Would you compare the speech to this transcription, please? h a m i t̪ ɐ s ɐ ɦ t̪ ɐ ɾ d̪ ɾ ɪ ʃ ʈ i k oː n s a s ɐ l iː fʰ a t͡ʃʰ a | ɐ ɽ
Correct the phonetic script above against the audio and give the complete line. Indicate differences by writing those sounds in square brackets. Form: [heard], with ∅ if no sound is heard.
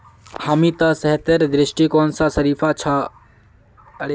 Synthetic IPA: h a m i t̪ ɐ s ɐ ɦ t̪ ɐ ɾ d̪ ɾ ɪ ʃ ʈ i k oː n s a s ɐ [ɾ] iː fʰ a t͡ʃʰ a | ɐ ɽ